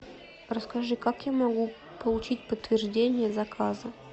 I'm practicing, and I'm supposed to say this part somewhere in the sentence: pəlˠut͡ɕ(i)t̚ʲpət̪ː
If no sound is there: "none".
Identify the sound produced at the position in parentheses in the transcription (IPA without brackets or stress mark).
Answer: i